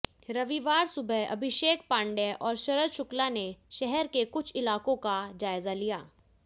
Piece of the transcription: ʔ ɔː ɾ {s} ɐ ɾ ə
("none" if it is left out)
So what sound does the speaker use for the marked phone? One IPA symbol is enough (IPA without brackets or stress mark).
ʃ